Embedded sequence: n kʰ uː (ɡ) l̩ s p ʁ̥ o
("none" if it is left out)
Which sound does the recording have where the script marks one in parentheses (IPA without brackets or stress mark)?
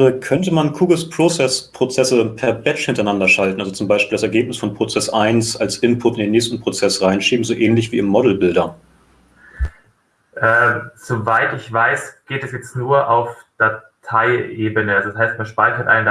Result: ɡ